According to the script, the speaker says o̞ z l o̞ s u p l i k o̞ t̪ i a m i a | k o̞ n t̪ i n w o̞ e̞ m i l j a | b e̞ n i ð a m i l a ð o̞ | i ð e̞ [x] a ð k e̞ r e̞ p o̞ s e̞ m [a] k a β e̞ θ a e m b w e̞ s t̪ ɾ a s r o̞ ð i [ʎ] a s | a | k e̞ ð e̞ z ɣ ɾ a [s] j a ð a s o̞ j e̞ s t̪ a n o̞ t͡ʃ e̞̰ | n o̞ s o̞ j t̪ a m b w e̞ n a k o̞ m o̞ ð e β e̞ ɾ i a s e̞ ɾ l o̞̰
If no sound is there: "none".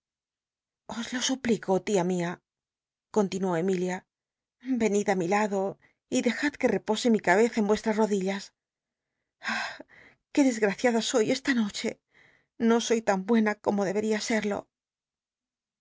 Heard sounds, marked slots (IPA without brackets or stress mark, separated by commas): x, i, ʎ, θ